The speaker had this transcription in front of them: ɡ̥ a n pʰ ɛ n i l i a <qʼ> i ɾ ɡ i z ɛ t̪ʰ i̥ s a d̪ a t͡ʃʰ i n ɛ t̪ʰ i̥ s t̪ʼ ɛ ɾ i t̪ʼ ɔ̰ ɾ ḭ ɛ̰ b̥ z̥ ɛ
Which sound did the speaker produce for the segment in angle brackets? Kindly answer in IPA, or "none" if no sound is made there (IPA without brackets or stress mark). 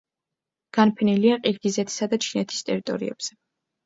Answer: qʼ